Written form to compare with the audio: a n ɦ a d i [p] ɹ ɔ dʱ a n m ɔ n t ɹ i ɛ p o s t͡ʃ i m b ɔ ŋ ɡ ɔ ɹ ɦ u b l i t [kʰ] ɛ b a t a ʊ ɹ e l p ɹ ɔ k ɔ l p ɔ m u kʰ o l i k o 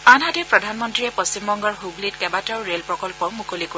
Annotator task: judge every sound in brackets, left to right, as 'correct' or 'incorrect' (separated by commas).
correct, incorrect